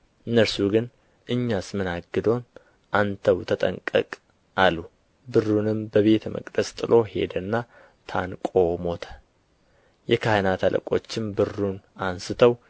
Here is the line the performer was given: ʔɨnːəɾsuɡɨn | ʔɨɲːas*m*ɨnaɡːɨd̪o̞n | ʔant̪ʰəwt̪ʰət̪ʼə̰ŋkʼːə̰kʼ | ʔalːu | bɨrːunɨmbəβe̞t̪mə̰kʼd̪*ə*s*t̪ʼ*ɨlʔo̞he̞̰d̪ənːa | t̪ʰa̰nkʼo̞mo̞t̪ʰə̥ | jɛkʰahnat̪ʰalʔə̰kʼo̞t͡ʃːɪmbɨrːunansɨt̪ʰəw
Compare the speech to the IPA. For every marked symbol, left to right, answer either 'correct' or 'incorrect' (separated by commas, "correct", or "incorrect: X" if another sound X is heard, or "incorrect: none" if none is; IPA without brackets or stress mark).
correct, correct, correct